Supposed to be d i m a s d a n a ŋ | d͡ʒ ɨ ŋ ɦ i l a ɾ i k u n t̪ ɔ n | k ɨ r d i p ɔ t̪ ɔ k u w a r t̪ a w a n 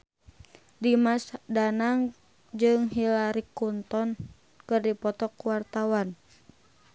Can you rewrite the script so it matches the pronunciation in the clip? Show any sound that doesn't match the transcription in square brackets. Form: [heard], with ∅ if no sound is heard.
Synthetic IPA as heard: d i m a s d a n a ŋ | d͡ʒ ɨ ŋ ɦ i l a ɾ i k u n t̪ ɔ n | k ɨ r d i p ɔ t̪ ɔ k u w a r t̪ a w a n